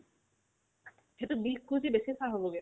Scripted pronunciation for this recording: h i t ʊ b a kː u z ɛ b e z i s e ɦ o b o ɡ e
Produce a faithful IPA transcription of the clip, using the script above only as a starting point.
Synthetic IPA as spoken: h e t u b i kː u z i b e s i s a ɦ o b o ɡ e